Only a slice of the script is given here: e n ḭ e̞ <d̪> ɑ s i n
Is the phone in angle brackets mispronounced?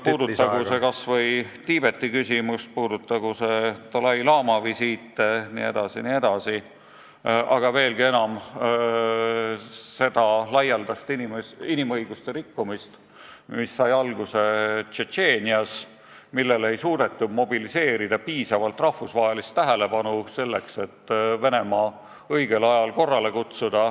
no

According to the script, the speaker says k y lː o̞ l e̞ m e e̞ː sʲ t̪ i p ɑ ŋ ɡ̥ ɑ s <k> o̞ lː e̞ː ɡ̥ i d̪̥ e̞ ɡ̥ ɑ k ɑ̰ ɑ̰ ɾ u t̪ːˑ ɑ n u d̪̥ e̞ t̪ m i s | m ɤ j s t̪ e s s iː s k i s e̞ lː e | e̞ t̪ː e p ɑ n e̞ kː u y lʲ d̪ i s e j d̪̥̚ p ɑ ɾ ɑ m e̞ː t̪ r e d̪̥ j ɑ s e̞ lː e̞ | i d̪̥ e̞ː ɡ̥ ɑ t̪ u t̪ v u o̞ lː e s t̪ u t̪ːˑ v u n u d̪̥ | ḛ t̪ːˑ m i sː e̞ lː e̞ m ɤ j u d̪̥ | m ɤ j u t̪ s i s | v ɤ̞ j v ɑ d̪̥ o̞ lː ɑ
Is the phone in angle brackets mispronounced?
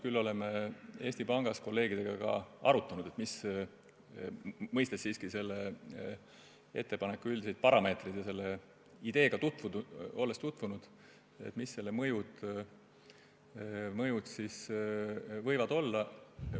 no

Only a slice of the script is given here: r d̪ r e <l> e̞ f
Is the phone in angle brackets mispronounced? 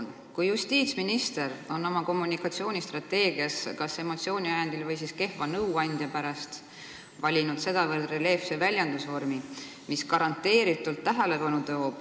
no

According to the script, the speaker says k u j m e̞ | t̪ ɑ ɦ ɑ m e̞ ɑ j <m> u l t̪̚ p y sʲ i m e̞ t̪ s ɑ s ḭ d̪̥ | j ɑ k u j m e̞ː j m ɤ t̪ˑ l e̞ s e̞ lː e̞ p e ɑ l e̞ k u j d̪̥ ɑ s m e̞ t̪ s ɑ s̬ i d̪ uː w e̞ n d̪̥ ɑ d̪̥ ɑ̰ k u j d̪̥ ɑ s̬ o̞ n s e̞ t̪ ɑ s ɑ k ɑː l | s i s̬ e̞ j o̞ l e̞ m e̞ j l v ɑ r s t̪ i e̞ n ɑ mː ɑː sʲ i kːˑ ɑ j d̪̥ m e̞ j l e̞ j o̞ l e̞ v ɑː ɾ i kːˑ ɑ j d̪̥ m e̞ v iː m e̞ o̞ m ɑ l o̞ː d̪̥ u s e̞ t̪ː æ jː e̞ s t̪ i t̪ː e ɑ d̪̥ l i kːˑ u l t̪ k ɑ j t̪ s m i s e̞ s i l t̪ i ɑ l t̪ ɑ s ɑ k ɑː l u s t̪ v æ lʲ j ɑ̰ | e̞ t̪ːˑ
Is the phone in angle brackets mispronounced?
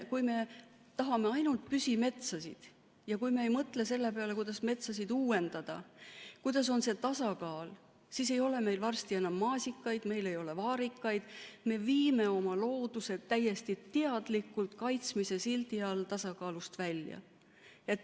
yes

